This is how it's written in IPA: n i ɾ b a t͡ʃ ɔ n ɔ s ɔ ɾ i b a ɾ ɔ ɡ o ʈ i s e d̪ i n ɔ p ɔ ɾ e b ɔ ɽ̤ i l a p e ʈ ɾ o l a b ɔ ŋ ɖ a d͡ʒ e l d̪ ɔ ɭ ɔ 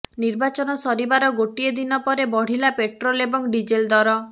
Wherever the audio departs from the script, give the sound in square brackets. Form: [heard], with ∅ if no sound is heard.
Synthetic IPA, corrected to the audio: n i ɾ b a t͡ʃ ɔ n ɔ s ɔ ɾ i b a ɾ ɔ ɡ o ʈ i [∅] e d̪ i n ɔ p ɔ ɾ e b ɔ ɽ̤ i l a p e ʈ ɾ o l [e] b ɔ ŋ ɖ [i] d͡ʒ e l d̪ ɔ [ɾ] ɔ